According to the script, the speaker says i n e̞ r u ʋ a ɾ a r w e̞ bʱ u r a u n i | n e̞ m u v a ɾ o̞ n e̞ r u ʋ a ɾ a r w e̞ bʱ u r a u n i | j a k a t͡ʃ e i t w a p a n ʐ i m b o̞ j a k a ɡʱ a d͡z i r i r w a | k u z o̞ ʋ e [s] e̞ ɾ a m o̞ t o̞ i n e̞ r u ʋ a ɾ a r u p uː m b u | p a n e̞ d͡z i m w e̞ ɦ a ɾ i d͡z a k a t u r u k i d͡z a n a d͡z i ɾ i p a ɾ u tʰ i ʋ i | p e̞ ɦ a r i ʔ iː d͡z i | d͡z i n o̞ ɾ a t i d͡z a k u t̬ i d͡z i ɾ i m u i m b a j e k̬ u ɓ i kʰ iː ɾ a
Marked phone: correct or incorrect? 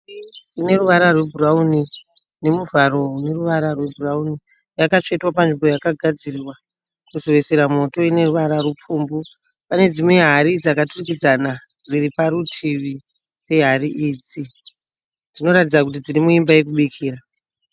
correct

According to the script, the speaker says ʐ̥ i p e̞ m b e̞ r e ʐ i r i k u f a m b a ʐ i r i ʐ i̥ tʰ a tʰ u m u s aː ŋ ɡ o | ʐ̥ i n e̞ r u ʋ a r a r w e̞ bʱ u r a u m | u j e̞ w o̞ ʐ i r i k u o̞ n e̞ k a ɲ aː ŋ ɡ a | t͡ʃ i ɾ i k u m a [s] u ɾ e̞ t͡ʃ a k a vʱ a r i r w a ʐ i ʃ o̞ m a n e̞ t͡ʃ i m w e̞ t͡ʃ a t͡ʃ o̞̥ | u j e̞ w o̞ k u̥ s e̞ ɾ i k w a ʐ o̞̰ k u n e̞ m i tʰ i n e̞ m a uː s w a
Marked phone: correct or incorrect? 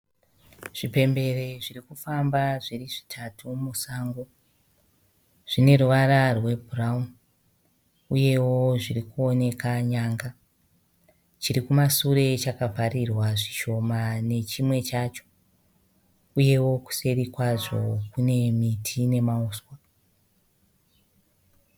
correct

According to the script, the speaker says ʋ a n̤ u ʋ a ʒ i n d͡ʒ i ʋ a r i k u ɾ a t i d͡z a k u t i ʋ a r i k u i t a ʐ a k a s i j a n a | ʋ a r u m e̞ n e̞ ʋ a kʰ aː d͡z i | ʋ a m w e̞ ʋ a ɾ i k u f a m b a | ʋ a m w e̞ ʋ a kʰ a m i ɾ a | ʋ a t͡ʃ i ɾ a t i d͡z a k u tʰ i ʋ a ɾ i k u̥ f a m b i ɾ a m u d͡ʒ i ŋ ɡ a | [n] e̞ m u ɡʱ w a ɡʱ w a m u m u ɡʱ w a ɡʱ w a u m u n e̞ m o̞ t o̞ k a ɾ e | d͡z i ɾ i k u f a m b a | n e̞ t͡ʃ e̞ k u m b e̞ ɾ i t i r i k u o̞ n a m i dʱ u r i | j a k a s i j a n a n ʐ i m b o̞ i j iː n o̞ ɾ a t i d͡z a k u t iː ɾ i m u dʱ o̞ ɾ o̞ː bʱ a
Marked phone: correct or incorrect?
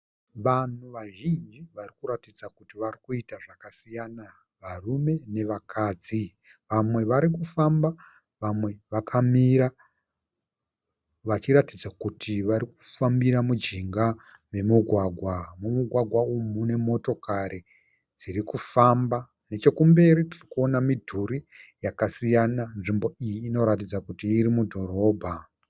incorrect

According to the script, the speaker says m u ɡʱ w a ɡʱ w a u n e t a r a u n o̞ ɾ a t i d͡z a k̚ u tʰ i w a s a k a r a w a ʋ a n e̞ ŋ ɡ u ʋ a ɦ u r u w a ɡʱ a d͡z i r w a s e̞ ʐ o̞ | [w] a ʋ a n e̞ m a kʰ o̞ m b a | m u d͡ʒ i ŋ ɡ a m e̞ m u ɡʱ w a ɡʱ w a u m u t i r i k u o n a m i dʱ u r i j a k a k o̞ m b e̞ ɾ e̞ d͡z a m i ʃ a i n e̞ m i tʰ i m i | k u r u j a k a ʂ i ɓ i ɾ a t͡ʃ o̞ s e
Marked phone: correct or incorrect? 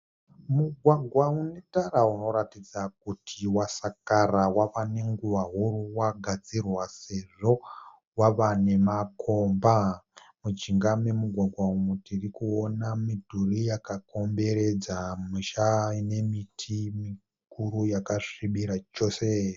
correct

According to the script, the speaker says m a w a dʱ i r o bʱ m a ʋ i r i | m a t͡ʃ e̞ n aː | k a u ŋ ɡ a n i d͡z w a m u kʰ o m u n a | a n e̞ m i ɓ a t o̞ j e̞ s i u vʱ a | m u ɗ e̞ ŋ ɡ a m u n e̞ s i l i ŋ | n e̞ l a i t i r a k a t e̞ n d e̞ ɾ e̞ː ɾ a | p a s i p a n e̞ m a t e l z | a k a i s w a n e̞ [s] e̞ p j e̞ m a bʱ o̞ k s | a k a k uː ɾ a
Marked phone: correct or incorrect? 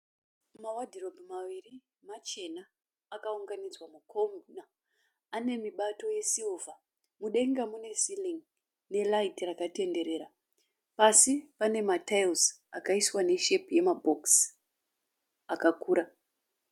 incorrect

